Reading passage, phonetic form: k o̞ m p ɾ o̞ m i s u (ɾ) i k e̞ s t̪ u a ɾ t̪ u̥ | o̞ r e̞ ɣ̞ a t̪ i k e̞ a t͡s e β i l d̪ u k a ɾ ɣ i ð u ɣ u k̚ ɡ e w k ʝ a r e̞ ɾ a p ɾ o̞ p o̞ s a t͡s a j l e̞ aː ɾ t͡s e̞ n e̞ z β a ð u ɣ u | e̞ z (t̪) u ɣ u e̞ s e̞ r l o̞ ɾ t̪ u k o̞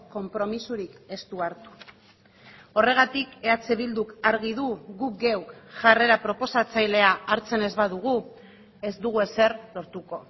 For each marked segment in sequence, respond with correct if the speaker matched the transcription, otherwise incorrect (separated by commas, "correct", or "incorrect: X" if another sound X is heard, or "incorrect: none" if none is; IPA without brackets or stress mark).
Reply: correct, incorrect: d̪